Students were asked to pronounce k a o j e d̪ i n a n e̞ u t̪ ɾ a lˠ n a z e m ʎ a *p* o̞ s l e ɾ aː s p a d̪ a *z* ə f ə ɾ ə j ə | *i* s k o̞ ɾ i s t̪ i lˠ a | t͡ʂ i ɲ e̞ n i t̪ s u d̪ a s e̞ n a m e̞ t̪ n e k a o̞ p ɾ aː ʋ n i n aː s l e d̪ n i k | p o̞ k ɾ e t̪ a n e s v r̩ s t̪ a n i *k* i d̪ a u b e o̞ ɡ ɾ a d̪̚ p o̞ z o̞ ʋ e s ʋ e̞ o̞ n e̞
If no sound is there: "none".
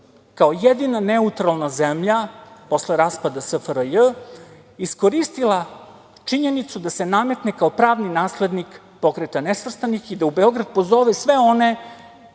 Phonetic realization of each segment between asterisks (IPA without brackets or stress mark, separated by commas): p, s, i, x